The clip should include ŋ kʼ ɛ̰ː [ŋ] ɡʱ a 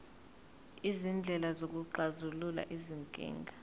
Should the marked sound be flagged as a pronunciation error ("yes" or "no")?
no